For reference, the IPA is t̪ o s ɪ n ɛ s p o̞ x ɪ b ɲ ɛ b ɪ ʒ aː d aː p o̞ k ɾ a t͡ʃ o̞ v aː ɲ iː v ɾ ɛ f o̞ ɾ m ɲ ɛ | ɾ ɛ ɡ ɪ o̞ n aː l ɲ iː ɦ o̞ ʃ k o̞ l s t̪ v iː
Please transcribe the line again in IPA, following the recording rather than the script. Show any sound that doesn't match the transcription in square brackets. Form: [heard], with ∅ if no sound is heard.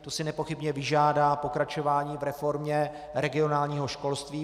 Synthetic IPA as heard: t̪ o s ɪ n ɛ [∅] p o̞ x ɪ b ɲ ɛ [v] ɪ ʒ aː d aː p o̞ k ɾ a t͡ʃ o̞ v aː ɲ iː v ɾ ɛ f o̞ ɾ m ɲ ɛ | ɾ ɛ ɡ ɪ o̞ n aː l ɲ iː ɦ o̞ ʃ k o̞ l s t̪ v iː